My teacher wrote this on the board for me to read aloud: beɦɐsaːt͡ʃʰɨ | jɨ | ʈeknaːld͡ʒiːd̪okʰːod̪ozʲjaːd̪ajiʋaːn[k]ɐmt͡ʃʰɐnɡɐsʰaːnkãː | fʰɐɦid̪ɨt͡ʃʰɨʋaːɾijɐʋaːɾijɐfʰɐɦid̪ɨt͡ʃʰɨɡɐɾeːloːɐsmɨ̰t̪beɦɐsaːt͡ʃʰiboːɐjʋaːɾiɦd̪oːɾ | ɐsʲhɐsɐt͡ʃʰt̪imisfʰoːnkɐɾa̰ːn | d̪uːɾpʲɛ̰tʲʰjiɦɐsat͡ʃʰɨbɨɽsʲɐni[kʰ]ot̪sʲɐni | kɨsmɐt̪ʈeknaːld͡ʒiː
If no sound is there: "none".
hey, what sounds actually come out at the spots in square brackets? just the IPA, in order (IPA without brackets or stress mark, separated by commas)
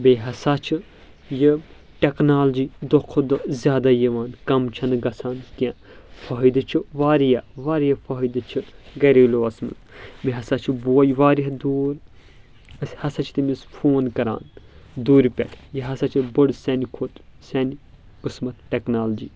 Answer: k, kʰ